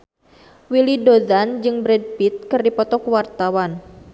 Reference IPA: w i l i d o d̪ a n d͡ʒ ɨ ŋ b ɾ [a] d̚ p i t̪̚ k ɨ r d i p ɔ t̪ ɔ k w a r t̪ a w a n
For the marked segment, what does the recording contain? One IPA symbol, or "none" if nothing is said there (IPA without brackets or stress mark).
ɛ